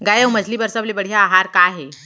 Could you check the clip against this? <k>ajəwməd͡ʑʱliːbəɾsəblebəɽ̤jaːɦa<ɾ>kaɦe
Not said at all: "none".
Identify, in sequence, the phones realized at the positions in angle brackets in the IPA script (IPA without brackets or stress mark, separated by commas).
ɡ, ɾ